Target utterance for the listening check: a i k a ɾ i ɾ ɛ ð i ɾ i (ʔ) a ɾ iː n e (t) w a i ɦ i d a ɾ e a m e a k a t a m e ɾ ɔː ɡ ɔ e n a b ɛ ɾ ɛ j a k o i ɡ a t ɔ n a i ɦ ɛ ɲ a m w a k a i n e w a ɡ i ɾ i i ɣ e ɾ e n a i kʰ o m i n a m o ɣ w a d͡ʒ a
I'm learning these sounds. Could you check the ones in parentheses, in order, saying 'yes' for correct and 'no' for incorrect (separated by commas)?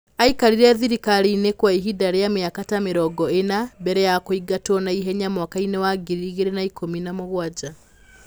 no, no